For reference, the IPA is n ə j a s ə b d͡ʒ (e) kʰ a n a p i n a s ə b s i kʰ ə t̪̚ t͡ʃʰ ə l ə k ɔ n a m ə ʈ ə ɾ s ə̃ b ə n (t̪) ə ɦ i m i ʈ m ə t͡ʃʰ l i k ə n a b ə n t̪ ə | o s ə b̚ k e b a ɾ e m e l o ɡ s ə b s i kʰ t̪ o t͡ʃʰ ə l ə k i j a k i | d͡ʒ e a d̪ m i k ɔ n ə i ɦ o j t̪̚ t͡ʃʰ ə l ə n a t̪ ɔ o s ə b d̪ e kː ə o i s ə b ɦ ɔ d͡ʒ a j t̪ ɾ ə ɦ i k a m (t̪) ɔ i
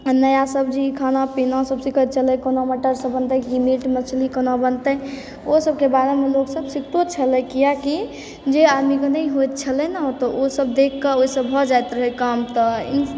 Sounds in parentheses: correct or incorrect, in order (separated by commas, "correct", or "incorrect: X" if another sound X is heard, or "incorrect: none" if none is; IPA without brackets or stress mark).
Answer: incorrect: i, correct, correct